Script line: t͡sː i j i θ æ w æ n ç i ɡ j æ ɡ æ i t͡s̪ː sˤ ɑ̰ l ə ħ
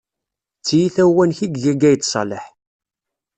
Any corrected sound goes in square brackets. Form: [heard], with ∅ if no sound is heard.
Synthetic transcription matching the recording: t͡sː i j i θ æ w æ n ç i ɡ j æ ɡ æ [j] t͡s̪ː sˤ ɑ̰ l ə ħ